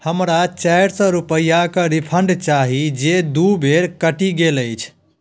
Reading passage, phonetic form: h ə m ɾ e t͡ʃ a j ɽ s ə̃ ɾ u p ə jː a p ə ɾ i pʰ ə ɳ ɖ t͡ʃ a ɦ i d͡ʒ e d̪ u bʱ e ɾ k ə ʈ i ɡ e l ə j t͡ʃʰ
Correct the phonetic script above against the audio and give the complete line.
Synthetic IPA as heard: h ə m ɾ a t͡ʃ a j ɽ s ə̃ ɾ u p ə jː a k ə ɾ i pʰ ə ɳ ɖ t͡ʃ a ɦ i d͡ʒ e d̪ u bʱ e ɾ k ə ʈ i ɡ e l ə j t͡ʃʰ